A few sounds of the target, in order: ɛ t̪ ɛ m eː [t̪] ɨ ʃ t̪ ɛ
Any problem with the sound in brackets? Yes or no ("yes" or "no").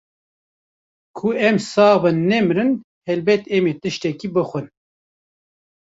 no